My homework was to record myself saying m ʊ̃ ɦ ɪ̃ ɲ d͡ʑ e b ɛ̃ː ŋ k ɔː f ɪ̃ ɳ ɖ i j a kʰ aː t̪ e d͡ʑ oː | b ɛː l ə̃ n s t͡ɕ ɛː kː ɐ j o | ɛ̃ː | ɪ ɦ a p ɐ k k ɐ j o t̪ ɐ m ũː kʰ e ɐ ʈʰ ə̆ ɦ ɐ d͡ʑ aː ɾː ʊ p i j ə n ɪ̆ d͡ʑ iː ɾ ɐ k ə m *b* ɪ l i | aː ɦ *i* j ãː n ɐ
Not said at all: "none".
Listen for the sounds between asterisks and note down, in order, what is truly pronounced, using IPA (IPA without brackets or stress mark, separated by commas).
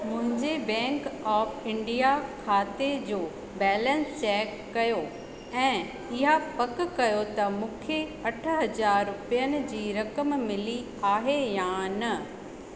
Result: m, e